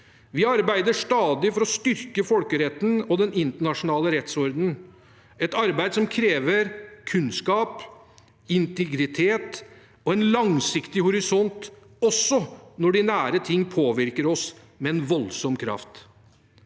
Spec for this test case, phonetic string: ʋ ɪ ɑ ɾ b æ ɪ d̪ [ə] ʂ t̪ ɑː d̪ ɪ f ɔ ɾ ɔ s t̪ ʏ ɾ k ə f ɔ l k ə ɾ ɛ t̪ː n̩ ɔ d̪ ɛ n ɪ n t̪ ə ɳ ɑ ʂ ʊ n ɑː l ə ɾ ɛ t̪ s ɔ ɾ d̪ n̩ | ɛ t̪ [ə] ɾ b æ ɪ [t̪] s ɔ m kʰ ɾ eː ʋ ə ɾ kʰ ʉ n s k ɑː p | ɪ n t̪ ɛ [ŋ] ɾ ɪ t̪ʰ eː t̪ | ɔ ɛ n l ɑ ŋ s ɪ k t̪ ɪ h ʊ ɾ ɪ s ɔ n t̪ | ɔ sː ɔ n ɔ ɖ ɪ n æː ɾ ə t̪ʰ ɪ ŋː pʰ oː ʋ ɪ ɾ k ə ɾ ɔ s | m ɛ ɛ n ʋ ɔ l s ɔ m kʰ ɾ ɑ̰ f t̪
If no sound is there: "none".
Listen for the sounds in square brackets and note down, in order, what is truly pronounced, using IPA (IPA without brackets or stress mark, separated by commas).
ə, ɑ, d̪, ɡ